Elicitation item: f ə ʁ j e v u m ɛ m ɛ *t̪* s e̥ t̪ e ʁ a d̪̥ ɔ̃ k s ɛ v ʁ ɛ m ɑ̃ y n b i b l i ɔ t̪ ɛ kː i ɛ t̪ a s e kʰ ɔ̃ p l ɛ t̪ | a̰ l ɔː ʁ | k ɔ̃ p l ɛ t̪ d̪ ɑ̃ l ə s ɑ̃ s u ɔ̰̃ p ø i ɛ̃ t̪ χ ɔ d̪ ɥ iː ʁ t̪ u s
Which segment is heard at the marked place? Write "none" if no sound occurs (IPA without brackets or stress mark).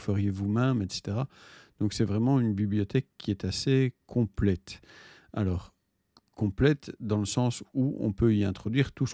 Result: t̪